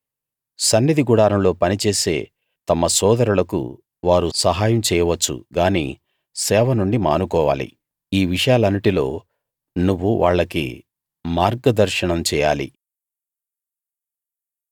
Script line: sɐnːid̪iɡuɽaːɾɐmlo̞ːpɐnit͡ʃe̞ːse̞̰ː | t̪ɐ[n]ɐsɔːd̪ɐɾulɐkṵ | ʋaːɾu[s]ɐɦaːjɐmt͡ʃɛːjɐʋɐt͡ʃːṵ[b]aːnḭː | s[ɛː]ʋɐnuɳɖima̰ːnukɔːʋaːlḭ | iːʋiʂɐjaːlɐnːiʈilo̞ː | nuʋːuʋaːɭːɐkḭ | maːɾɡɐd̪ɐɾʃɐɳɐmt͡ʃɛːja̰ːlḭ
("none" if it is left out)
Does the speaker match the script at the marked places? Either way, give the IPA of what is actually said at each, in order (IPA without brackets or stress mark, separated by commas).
m, s, ɡ, ɛː